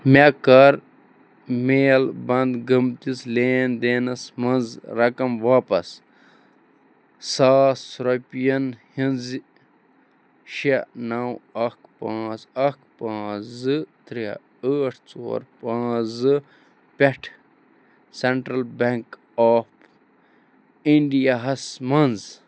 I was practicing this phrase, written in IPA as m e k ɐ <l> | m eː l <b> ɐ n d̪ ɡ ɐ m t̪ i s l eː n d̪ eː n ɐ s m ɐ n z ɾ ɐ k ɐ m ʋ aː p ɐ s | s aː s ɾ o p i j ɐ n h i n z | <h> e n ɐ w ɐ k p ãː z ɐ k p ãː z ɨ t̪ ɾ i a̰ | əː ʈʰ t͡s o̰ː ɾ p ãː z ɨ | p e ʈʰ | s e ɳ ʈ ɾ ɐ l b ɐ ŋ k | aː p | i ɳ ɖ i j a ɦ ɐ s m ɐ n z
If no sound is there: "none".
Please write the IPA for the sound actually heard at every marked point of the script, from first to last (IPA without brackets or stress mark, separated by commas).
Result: ɾ, b, ʃ